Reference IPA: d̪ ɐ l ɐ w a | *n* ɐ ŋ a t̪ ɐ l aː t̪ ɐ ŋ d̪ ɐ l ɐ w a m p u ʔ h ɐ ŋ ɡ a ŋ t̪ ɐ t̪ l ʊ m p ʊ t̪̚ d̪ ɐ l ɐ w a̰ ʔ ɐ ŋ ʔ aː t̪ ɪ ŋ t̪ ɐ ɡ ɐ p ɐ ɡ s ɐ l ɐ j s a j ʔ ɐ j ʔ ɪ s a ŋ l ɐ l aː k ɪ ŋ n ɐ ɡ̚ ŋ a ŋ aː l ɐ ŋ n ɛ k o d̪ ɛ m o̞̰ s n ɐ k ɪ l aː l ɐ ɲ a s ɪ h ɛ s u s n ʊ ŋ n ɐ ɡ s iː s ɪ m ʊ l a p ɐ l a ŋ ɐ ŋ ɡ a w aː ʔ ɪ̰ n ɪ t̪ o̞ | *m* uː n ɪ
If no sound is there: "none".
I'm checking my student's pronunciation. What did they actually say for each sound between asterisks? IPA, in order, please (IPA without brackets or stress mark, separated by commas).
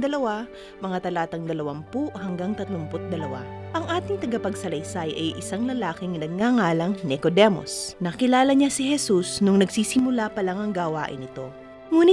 m, ŋ